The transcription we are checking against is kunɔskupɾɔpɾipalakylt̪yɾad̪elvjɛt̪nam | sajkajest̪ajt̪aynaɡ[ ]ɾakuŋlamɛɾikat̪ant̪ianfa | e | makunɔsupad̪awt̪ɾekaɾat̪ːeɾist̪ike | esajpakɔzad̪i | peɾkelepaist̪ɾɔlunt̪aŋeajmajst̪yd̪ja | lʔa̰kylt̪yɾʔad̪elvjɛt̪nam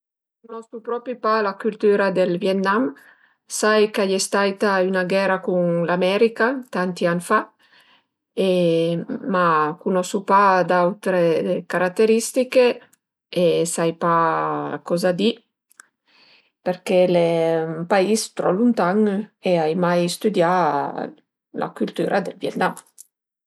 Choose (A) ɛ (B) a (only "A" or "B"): A